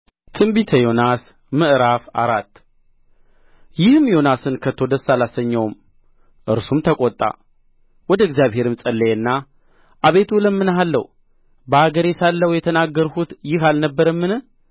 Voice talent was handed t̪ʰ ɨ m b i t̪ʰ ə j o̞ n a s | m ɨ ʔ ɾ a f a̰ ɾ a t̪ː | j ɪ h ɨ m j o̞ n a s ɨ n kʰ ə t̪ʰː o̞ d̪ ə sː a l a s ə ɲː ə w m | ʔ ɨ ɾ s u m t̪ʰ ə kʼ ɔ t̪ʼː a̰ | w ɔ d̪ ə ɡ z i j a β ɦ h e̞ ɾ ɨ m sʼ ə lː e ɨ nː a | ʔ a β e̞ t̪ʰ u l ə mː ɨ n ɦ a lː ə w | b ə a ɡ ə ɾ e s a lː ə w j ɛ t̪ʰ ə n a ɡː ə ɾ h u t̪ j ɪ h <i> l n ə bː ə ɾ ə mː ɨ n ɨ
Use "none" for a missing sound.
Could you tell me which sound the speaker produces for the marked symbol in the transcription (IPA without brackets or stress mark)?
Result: a